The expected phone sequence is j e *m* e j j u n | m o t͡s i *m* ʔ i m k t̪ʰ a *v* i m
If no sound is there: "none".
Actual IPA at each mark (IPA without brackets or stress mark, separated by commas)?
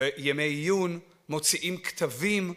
m, none, v